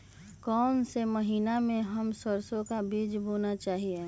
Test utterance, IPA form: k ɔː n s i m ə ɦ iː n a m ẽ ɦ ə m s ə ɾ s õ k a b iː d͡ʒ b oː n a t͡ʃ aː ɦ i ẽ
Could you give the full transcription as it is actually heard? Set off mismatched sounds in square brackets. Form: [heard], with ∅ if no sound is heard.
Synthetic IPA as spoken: k ɔː n s [e] m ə ɦ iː n a m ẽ ɦ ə m s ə ɾ s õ k a b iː d͡ʒ b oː n a t͡ʃ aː ɦ i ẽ